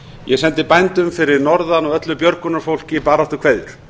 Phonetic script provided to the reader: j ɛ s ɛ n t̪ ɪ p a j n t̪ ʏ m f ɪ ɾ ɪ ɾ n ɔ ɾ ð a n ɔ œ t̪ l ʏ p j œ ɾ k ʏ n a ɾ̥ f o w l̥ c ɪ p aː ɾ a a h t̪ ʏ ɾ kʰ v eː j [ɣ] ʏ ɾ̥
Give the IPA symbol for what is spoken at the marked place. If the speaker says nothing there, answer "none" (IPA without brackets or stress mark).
ð